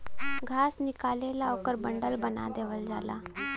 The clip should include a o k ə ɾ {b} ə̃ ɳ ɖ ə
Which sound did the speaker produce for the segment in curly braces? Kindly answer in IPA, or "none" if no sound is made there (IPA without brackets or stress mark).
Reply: b